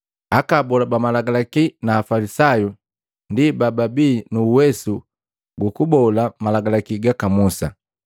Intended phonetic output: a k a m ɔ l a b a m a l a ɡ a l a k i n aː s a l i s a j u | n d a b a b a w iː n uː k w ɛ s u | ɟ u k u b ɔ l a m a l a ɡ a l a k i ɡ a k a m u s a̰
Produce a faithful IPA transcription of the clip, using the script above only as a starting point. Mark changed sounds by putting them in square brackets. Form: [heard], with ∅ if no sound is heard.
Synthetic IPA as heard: a k a [b] ɔ l a b a m a l a ɡ a l a k i n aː [f] a l i s a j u | n d [i] b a b a [b] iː n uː [∅] w ɛ s u | [ɡ] u k u b ɔ l a m a l a ɡ a l a k i ɡ a k a m u s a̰